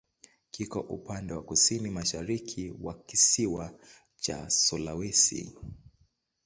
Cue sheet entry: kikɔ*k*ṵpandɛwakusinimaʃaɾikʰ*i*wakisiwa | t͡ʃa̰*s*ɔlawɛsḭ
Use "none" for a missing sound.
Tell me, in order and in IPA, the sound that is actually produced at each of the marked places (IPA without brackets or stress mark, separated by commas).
ʔ, i, s